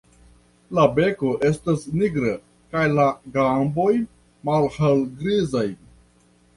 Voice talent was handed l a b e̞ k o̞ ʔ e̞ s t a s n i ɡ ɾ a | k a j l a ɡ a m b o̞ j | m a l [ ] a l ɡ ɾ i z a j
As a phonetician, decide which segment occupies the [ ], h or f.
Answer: h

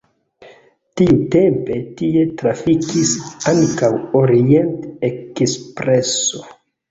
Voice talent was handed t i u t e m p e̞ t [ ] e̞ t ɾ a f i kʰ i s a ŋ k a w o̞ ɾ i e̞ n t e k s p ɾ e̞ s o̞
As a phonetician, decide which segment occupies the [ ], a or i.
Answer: i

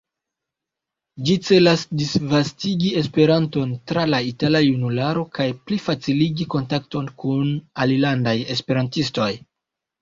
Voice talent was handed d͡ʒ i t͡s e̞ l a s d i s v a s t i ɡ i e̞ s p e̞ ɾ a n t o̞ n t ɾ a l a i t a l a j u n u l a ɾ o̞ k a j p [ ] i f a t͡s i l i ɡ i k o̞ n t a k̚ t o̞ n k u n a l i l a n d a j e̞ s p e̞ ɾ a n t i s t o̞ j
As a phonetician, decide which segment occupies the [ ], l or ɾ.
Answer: l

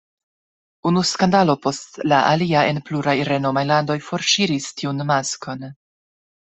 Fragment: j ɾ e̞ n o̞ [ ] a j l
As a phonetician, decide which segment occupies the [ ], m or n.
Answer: m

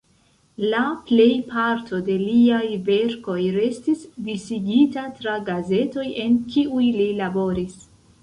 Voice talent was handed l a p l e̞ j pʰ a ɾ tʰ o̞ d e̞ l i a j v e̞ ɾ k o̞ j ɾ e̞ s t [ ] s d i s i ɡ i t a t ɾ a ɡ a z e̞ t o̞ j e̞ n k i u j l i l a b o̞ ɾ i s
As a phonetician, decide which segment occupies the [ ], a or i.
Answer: i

